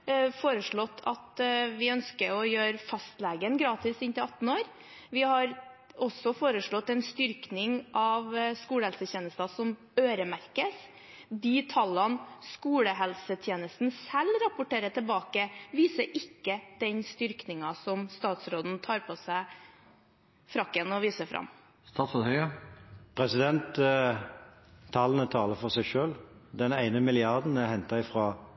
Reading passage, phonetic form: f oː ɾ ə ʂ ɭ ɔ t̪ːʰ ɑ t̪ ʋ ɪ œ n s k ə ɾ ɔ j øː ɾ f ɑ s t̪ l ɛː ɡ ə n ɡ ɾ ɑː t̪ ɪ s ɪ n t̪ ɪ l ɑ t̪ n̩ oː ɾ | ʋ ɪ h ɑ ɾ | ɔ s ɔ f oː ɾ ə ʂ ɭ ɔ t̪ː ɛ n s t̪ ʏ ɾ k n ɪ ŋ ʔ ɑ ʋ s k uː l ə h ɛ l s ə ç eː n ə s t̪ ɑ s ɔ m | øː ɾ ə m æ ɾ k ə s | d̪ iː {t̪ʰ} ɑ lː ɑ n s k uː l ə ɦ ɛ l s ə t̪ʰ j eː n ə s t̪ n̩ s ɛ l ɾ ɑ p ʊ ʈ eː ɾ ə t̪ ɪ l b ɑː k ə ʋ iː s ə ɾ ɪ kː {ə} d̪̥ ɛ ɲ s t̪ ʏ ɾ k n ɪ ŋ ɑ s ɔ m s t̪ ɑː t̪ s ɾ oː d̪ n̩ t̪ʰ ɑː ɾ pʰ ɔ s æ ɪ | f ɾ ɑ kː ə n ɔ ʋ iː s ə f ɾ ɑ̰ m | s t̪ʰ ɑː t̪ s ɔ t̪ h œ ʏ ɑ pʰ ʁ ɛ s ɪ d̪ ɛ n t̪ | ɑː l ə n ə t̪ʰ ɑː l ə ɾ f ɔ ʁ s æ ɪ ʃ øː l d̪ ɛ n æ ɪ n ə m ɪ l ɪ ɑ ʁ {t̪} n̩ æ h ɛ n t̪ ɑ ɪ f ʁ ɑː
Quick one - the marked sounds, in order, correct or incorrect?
correct, correct, incorrect

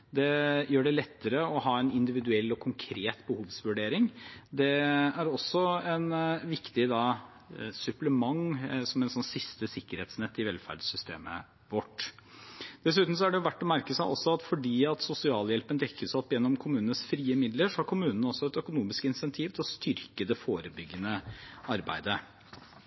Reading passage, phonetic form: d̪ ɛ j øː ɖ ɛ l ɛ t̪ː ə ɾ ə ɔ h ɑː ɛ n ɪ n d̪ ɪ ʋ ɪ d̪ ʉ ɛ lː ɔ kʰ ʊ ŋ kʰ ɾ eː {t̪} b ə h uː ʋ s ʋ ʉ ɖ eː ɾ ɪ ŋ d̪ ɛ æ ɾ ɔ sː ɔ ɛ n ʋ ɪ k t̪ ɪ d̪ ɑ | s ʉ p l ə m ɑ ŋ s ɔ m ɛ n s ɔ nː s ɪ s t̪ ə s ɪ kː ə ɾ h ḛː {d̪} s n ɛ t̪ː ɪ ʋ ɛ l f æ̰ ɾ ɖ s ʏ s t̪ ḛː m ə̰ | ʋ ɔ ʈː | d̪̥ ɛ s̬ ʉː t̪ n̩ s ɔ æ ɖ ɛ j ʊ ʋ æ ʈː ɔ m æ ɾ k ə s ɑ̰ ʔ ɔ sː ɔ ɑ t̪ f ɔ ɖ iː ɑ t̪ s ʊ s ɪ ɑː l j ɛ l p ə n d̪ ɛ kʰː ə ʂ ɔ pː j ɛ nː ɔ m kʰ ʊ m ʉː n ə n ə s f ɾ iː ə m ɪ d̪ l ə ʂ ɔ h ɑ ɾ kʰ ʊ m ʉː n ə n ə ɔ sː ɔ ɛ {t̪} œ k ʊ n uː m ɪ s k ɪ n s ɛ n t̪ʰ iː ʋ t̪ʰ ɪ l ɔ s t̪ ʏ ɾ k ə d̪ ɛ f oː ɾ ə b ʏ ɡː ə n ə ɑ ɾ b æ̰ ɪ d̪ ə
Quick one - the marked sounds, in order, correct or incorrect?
correct, incorrect, correct

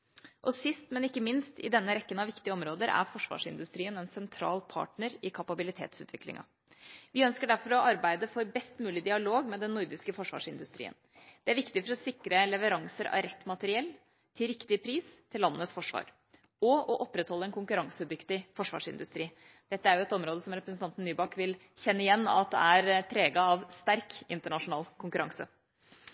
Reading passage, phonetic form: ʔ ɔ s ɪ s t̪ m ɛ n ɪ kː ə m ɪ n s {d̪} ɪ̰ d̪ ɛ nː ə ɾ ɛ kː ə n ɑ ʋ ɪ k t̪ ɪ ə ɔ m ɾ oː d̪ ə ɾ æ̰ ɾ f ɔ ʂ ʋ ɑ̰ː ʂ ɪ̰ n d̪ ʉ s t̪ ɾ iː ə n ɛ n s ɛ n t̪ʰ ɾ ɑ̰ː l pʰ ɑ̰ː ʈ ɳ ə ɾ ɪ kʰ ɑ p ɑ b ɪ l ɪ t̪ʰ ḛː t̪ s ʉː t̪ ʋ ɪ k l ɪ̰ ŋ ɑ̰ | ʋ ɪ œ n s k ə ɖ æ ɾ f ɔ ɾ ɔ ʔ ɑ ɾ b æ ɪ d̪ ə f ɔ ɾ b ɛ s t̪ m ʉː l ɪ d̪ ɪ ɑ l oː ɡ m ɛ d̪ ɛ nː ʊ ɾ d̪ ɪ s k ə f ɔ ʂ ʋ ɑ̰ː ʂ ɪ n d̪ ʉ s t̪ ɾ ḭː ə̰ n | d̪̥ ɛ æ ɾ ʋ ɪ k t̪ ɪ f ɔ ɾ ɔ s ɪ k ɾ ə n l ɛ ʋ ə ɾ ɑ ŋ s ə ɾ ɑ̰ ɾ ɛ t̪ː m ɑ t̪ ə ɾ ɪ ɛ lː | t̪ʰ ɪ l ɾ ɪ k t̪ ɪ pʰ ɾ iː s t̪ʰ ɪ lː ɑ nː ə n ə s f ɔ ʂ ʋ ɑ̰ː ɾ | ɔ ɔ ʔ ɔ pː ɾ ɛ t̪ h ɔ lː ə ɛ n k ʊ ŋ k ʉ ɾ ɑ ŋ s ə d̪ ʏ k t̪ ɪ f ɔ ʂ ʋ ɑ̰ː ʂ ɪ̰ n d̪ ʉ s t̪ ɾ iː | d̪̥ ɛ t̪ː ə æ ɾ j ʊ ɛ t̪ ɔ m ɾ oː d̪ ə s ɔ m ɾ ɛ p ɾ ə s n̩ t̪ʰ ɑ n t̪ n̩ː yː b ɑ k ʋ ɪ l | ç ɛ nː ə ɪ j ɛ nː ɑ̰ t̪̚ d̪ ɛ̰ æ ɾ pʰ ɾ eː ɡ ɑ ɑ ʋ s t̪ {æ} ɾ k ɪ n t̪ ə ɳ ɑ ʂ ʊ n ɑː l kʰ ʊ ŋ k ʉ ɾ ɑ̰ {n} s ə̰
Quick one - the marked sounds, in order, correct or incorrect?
incorrect, correct, incorrect

